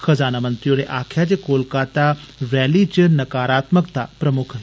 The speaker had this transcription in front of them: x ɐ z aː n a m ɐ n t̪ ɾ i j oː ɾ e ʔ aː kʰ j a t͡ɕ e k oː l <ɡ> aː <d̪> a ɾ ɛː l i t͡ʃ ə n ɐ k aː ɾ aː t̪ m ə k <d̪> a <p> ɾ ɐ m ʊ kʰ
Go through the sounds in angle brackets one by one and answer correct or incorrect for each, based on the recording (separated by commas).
incorrect, incorrect, incorrect, correct